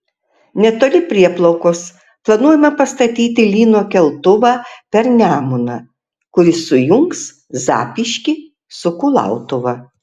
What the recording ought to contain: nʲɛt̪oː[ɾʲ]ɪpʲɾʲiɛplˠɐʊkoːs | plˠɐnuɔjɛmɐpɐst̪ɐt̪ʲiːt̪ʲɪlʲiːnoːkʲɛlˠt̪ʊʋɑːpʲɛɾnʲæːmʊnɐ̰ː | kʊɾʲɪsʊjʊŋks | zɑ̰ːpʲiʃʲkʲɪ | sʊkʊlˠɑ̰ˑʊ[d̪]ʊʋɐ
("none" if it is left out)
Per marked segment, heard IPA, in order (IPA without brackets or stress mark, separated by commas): lʲ, t̪